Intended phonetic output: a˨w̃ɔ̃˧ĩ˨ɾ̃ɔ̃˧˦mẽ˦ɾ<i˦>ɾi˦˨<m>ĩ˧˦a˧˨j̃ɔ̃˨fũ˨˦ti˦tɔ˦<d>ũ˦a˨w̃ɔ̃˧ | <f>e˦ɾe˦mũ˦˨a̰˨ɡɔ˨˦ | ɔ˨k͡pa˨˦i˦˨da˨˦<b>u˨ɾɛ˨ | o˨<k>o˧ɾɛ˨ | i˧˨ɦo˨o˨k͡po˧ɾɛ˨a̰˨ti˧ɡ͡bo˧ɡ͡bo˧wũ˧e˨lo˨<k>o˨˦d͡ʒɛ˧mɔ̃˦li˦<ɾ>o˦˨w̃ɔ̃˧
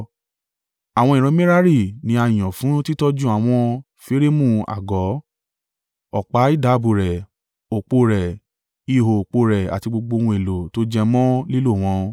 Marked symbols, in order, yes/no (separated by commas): no, no, no, yes, yes, no, no, no